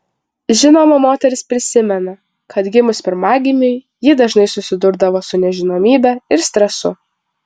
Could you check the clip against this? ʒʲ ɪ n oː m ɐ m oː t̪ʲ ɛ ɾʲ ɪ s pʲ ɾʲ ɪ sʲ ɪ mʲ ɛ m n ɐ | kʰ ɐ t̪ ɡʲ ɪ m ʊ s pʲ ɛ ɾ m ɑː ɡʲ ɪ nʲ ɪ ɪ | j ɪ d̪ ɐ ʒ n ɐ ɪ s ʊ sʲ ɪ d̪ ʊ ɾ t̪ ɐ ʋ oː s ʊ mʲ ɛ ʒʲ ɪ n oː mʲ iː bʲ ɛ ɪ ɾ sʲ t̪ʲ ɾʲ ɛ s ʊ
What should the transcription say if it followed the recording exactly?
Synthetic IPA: ʒʲ ɪ n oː m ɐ m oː t̪ʲ ɛ ɾʲ ɪ s pʲ ɾʲ ɪ sʲ ɪ mʲ ɛ n ɐ | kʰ ɐ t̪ ɡʲ ɪ m ʊ s pʲ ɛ ɾ m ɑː ɡʲ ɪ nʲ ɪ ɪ | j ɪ d̪ ɐ ʒ n ɐ ɪ s ʊ sʲ ɪ d̪ ʊ ɾ d̪ ɐ ʋ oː s ʊ nʲ ɛ ʒʲ ɪ n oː mʲ iː bʲ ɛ ɪ ɾ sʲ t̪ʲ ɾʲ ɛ s ʊ